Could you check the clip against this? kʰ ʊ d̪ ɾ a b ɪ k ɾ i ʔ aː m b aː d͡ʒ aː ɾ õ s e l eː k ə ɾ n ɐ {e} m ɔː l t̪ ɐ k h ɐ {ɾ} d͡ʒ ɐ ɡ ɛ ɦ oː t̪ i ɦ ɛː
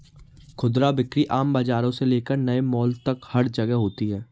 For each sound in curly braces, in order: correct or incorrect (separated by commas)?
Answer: correct, correct